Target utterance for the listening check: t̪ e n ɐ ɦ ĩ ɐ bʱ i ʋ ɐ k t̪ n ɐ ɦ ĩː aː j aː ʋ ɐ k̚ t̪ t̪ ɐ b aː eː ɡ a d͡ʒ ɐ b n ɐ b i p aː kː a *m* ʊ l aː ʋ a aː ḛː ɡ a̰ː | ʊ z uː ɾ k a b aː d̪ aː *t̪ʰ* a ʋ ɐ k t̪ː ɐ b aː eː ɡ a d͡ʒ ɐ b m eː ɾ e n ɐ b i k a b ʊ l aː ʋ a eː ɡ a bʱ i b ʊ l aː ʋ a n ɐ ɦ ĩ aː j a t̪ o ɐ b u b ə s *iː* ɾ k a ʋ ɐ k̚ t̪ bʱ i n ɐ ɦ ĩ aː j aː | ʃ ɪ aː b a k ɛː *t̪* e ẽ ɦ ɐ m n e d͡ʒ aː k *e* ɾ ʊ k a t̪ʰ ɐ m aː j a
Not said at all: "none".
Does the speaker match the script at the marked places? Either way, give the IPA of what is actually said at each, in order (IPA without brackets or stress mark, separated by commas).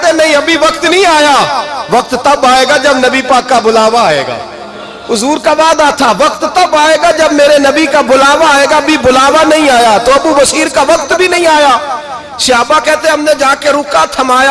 b, t̪ʰ, iː, t̪, e